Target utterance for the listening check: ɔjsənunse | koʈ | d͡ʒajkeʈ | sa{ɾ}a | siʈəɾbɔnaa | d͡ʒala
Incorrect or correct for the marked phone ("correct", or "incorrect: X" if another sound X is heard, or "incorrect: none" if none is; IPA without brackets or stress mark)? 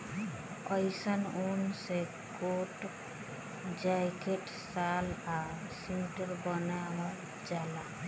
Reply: incorrect: l